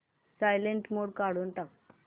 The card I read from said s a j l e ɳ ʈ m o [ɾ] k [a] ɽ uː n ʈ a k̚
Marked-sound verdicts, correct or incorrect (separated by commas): incorrect, correct